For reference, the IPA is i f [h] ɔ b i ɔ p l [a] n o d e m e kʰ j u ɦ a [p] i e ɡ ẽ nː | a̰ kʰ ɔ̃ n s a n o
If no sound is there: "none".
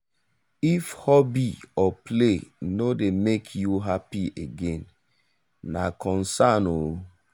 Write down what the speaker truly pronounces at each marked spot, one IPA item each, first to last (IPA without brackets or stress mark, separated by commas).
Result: h, e, p